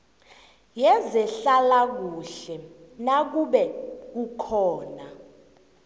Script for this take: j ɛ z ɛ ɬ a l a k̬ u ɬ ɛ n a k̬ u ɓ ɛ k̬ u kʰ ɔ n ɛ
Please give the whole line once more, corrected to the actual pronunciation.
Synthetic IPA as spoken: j ɛ z ɛ ɬ a l a k̬ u ɬ ɛ n a k̬ u ɓ ɛ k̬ u kʰ ɔː n a